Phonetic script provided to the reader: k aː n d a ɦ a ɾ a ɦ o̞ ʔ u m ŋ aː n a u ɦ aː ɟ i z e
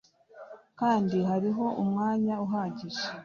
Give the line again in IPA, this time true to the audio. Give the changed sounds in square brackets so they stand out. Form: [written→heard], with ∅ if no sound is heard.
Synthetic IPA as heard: k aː n d [a→i] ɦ a ɾ [a→i] ɦ o̞ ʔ u m ŋ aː [n→ɲ] a u ɦ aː ɟ i [z→ʒ] e